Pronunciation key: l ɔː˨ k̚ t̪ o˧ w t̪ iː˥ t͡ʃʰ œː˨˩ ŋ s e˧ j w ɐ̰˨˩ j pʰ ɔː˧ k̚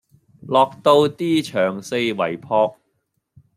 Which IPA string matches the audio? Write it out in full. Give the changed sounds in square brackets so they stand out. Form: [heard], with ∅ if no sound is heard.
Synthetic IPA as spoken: l ɔː˨ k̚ t̪ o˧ w t̪ iː˥ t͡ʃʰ œː˨˩ ŋ s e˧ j w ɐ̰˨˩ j pʰ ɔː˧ k̚